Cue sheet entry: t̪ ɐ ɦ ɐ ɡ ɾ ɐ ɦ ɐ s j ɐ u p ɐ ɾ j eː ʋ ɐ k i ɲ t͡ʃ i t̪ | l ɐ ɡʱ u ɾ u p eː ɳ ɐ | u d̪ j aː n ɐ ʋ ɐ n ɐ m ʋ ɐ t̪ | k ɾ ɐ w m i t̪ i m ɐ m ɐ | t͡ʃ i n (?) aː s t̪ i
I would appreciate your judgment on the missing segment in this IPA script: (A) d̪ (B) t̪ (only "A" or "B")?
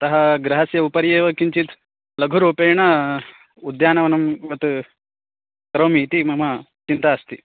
B